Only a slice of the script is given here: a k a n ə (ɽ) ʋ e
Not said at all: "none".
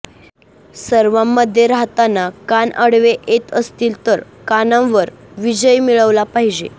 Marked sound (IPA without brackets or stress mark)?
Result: ɽ